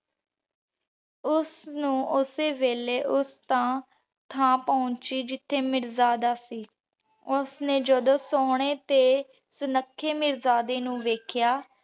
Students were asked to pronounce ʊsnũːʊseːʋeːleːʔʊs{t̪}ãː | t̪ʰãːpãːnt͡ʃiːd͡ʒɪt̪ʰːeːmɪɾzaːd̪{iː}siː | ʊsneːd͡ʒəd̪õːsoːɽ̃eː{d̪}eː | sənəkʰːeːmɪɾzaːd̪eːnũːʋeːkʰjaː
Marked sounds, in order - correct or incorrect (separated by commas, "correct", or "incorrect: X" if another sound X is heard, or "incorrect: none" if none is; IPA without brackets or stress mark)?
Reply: correct, incorrect: aː, incorrect: t̪